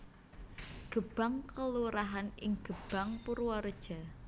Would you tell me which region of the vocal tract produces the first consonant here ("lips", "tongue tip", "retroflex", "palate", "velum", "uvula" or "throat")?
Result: velum